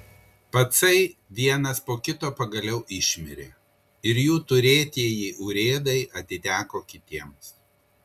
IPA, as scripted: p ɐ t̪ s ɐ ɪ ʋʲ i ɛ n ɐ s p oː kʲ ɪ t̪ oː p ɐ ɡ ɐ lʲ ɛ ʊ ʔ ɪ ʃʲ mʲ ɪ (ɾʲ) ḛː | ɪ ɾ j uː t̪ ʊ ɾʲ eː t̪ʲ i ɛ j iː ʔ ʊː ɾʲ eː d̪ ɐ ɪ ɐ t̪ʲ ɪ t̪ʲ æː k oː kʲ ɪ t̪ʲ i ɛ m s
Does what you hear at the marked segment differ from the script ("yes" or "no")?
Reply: no